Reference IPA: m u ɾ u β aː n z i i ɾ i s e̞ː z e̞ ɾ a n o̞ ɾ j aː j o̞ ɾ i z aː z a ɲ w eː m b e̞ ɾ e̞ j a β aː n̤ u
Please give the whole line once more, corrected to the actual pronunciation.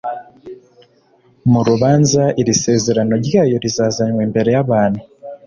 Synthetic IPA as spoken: m u ɾ u β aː n z a i ɾ i s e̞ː z e̞ ɾ a n o̞ ɾ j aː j o̞ ɾ i z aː z a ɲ w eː m b e̞ ɾ e̞ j a β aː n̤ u